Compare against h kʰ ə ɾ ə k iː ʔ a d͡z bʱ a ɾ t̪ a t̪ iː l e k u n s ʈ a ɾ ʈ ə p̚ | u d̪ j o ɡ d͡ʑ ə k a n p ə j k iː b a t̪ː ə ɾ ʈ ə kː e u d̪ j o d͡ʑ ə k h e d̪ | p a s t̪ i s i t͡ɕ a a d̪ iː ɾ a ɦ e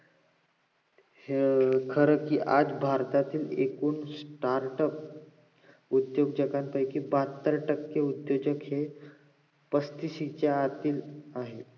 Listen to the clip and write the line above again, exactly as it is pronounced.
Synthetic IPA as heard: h kʰ ə ɾ ə k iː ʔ a d͡z bʱ a ɾ t̪ a t̪ iː l e k uː n s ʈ a ɾ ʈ ə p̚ | u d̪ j o ɡ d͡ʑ ə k a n p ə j k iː b a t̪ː ə ɾ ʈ ə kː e u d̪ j o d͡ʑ ə k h e | p ə s t̪ i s i t͡ɕ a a t̪ iː l a ɦ e